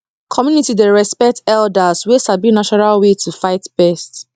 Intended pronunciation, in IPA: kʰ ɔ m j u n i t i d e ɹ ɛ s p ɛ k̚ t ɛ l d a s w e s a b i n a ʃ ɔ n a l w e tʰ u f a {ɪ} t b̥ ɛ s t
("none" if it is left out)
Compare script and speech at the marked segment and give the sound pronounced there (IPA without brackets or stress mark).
ɪ